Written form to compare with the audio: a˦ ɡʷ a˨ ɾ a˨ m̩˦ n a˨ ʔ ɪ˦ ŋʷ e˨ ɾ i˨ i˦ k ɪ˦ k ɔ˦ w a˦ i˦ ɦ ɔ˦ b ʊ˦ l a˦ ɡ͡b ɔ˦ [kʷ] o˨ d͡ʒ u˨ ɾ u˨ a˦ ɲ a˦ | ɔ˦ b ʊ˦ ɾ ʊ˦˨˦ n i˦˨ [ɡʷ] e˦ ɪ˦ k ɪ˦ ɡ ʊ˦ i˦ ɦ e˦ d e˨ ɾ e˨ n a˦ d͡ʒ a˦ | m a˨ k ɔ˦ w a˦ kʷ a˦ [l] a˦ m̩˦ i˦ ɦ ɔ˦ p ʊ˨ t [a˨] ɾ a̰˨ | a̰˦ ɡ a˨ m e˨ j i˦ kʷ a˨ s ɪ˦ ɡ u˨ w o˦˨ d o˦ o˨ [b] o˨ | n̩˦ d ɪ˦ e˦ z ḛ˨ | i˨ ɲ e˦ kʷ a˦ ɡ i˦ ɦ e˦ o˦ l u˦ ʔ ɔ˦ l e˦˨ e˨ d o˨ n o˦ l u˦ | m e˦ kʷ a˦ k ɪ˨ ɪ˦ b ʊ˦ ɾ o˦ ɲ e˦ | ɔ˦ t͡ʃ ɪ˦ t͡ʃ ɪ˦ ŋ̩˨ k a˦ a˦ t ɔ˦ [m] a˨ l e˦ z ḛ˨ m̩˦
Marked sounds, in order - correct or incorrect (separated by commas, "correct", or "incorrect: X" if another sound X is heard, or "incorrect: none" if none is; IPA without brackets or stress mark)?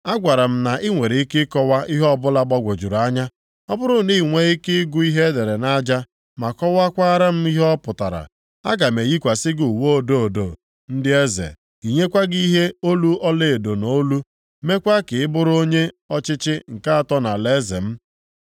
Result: incorrect: ɡʷ, incorrect: ŋʷ, incorrect: ɾ, correct, incorrect: d, incorrect: n